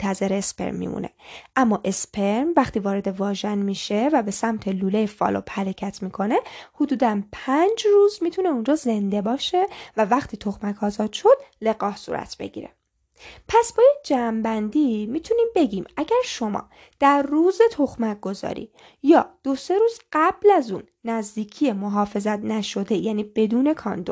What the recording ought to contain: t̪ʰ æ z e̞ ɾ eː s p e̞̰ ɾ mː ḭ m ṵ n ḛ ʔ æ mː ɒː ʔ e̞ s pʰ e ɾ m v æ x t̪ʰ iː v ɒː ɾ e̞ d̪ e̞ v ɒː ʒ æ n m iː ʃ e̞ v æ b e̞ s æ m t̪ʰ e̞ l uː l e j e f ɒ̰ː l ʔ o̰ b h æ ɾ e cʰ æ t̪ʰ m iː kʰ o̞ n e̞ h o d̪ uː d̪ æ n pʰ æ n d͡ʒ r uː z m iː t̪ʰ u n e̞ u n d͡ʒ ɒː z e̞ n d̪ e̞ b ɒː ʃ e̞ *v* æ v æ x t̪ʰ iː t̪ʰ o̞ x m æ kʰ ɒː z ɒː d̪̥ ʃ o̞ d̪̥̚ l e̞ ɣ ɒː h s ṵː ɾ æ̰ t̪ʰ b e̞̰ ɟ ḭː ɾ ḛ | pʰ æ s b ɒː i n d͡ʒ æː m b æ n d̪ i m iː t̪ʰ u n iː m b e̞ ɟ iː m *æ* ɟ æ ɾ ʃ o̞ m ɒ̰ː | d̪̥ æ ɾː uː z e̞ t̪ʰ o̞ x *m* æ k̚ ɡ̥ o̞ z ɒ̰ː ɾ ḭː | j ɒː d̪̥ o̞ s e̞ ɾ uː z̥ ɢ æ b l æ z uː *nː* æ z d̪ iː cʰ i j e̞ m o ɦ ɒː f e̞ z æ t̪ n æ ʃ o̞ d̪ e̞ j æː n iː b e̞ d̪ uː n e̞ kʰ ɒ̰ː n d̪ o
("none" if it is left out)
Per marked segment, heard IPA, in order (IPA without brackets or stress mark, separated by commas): v, æ, m, nː